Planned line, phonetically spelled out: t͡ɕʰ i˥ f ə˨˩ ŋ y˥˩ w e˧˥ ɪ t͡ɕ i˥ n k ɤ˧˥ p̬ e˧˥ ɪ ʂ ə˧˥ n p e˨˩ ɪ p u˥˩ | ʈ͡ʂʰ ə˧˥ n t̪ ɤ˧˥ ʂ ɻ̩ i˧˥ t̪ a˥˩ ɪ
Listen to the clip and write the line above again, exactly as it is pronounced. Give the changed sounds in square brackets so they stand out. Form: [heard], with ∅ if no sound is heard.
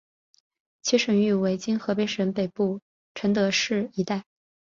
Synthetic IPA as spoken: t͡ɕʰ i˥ [ʂ] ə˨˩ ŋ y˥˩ w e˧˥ ɪ t͡ɕ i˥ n [x] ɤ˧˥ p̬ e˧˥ ɪ ʂ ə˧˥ n p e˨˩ ɪ p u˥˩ | ʈ͡ʂʰ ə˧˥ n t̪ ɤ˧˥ ʂ ɻ̩ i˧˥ t̪ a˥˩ ɪ